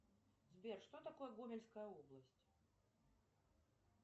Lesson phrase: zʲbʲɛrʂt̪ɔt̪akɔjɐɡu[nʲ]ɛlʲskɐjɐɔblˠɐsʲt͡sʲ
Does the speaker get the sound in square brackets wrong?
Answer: yes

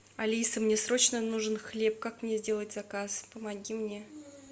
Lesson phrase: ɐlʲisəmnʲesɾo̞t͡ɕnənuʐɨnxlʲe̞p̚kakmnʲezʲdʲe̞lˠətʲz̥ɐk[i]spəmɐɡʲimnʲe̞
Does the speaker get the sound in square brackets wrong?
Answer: yes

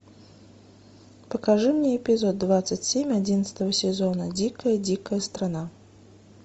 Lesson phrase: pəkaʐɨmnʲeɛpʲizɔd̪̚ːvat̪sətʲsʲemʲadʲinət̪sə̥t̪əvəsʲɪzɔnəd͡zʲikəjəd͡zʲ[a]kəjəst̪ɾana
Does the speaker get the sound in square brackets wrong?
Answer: yes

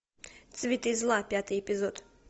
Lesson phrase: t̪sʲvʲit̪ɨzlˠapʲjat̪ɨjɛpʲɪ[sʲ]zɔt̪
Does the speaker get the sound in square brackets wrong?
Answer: yes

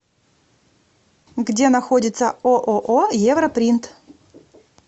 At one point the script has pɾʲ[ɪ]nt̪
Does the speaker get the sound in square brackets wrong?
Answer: yes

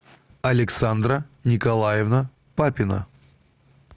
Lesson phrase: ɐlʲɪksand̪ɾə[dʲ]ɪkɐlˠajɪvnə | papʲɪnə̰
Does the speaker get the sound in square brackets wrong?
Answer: yes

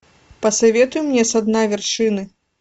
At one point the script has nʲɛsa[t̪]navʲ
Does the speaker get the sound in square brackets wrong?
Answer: yes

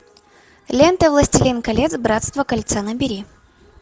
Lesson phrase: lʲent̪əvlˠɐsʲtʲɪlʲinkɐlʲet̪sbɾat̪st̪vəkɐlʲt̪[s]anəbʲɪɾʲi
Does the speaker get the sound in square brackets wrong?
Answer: no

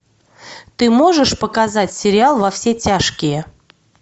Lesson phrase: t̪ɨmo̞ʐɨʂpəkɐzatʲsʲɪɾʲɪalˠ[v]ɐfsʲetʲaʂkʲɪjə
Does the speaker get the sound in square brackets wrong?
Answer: no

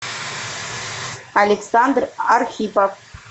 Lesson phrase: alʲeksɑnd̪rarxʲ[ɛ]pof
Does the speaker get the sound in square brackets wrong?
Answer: yes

